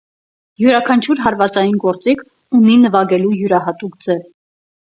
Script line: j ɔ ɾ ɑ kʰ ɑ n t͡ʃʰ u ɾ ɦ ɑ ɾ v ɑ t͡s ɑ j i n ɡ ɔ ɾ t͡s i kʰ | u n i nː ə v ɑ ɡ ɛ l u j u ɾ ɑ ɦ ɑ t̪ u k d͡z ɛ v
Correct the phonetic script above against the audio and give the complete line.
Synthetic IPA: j u ɾ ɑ kʰ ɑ n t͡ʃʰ u ɾ ɦ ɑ ɾ v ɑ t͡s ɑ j i n ɡ ɔ ɾ t͡s i kʰ | u n i n ə v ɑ ɡ ɛ l u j u ɾ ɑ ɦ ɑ t̪ u k d͡z ɛ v